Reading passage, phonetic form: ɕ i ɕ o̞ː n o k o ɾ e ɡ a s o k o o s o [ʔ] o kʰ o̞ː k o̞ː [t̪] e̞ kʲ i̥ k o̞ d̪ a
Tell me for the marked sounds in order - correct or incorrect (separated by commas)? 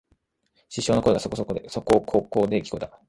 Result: incorrect, incorrect